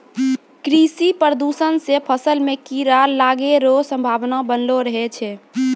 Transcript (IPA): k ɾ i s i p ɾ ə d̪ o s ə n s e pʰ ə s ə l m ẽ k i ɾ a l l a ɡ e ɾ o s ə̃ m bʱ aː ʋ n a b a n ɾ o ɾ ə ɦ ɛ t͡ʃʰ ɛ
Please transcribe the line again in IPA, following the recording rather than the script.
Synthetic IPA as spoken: k ɾ i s i p ɾ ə d̪ u s ə n s e pʰ ə s ə l m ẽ k i ɾ a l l a ɡ e ɾ o s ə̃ m bʱ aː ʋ n a b ə n l o ɾ ə ɦ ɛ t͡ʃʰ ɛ